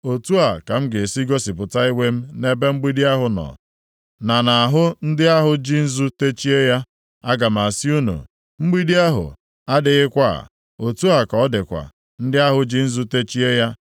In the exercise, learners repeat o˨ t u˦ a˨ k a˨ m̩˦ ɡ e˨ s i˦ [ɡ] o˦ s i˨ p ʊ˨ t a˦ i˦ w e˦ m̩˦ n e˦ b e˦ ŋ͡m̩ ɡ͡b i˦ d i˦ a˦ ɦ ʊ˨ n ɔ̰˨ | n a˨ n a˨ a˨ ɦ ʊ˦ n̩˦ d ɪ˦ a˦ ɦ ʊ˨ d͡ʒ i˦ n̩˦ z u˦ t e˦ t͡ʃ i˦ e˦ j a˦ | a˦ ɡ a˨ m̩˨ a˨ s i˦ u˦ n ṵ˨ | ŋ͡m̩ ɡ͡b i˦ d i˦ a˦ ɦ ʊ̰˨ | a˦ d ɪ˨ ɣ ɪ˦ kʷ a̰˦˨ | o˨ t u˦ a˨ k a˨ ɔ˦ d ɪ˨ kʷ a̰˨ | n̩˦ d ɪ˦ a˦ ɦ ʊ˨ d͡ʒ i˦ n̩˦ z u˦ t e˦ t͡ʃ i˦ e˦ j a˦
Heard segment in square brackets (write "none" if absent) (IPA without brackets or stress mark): ɡ